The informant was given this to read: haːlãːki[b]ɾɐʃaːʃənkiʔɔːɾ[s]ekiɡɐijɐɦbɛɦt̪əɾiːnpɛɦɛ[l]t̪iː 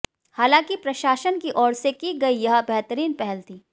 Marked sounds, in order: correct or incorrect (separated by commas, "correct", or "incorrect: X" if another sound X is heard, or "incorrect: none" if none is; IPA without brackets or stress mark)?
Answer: incorrect: p, correct, correct